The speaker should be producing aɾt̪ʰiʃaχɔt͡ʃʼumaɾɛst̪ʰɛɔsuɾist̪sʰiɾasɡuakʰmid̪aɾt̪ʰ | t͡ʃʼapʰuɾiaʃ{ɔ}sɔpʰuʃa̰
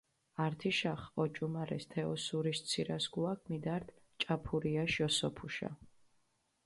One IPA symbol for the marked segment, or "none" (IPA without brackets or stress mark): ɔ